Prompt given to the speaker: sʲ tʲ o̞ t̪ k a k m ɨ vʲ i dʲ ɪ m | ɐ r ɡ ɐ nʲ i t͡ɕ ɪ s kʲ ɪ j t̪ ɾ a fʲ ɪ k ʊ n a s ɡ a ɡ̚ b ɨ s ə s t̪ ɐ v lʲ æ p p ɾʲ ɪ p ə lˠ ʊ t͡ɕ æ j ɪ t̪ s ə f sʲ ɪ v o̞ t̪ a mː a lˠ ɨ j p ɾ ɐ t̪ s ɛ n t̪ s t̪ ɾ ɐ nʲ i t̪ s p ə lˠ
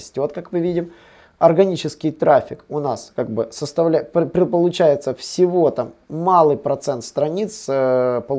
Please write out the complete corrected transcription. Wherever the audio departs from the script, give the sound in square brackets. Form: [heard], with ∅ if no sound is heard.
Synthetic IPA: sʲ tʲ o̞ t̪ k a k m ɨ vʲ i dʲ ɪ m | ɐ r ɡ ɐ nʲ i t͡ɕ ɪ s kʲ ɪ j t̪ ɾ a fʲ ɪ k ʊ n a s [k] a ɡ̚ b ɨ s ə s t̪ ɐ v lʲ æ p p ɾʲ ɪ p ə lˠ ʊ t͡ɕ æ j ɪ t̪ s ə f sʲ ɪ v o̞ t̪ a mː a lˠ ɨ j p ɾ ɐ t̪ s ɛ n t̪ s t̪ ɾ ɐ nʲ i t̪ s p ə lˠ